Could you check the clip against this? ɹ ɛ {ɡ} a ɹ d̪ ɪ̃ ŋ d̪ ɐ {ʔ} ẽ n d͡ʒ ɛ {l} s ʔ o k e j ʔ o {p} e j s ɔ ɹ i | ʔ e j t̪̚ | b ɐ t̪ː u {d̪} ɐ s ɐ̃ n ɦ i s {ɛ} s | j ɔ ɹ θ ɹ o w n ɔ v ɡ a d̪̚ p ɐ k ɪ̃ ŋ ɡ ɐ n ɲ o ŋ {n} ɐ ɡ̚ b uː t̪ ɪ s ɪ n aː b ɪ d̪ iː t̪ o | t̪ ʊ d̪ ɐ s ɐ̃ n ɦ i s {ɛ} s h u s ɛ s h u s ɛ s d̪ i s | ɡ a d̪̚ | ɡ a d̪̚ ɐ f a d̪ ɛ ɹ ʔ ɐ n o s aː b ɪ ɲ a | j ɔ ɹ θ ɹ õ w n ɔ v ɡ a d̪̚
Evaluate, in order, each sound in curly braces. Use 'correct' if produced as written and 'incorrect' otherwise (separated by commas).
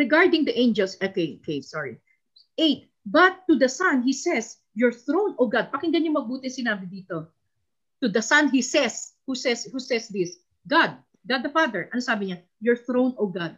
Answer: correct, correct, correct, incorrect, correct, correct, incorrect, correct